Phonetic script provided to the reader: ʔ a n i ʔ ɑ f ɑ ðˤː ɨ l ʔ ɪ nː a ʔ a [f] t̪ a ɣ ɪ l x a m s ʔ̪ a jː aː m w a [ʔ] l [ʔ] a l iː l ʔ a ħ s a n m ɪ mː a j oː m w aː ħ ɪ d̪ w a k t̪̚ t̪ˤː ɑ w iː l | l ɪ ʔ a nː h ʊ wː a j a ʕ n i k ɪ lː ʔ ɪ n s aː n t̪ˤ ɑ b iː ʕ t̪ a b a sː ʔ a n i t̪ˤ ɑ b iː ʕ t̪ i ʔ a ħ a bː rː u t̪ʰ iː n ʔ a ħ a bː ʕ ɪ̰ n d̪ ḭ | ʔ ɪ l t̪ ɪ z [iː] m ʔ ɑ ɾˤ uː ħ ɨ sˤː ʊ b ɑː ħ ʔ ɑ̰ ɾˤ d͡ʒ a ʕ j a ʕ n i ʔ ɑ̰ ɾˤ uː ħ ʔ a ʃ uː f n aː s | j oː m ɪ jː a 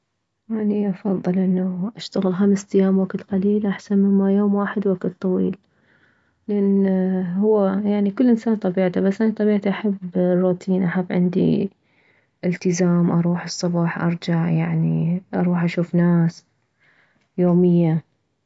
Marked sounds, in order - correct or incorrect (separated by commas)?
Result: incorrect, incorrect, incorrect, incorrect